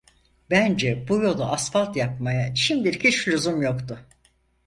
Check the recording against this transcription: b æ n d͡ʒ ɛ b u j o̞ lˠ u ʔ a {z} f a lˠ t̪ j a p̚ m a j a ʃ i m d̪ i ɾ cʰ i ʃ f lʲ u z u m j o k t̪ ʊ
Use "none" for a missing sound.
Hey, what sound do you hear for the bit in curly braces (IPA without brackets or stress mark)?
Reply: s